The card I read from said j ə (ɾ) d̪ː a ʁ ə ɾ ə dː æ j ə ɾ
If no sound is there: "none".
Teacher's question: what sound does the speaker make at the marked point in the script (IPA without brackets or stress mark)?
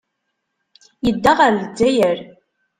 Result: none